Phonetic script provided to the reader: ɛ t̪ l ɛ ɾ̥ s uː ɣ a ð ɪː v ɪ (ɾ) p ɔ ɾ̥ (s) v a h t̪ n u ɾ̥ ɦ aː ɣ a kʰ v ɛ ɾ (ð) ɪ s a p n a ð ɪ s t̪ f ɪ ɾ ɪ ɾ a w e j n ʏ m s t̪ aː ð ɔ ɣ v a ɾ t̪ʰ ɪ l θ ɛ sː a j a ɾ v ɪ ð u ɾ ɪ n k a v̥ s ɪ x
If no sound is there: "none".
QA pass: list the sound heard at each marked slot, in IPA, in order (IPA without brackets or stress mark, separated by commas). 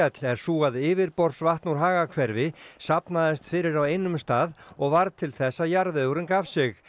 ɾ, s, v